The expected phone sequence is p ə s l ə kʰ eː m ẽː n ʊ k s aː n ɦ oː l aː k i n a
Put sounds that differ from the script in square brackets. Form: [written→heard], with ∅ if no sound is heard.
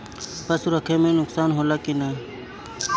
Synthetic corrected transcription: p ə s [l→ɾ] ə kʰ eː m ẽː n ʊ k s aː n ɦ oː l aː k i n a